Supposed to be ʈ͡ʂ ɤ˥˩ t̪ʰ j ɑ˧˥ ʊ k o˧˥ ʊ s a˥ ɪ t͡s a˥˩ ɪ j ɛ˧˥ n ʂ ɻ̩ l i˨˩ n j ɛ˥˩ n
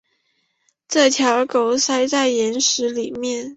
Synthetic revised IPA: ʈ͡ʂ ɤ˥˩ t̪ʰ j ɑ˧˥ ʊ k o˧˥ ʊ s a˥ ɪ t͡s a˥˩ ɪ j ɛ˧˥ n ʂ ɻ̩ l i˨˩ m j ɛ˥˩ n